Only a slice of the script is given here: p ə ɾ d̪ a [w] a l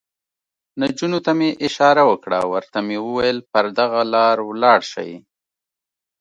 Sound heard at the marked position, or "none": ɣ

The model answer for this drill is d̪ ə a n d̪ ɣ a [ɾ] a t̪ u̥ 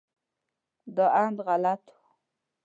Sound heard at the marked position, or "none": l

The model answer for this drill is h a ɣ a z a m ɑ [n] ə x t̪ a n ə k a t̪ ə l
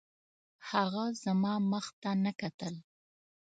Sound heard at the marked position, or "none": m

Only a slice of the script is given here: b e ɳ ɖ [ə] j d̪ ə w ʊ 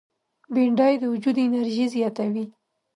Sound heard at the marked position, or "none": ɑ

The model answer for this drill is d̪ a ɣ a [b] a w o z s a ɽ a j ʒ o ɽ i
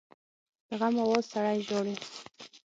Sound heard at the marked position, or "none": m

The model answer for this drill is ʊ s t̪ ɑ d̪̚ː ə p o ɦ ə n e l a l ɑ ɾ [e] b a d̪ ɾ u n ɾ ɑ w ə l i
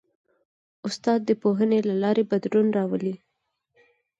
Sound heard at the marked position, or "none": e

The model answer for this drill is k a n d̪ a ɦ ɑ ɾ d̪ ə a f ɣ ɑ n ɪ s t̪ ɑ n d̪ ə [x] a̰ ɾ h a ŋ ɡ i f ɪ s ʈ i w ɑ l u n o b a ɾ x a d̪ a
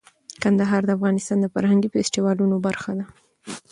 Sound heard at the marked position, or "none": f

